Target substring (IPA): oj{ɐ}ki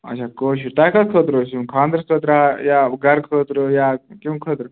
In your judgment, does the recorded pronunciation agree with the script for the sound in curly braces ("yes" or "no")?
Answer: no